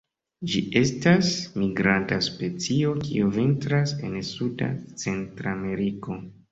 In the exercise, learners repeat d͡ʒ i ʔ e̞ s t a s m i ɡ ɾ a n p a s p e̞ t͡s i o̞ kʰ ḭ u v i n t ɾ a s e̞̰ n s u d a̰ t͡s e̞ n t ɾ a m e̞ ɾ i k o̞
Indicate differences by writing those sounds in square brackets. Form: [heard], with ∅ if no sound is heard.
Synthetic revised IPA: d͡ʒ i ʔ e̞ s t a s m i ɡ ɾ a n [t] a s p e̞ t͡s i o̞ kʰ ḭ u v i n t ɾ a s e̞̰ n s u d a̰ t͡s e̞ n t ɾ a m e̞ ɾ i k o̞